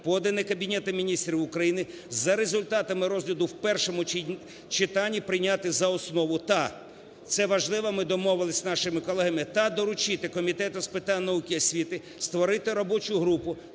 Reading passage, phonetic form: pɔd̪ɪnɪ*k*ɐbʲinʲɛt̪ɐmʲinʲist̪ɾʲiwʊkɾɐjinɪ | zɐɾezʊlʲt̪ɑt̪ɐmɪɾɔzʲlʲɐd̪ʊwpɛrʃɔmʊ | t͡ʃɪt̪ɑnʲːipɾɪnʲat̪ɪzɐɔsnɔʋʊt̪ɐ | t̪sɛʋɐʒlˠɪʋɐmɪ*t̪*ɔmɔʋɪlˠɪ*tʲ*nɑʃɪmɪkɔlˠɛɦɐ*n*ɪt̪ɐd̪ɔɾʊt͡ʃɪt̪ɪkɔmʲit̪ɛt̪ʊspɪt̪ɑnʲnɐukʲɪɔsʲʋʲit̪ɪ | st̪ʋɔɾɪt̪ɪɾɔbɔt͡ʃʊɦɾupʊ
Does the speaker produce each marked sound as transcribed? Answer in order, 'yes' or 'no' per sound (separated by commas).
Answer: yes, no, no, no